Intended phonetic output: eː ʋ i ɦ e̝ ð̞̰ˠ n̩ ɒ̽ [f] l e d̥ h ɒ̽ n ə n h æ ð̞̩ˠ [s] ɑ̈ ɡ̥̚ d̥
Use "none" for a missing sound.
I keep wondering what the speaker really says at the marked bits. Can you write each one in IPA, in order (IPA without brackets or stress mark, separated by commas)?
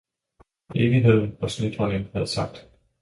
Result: s, s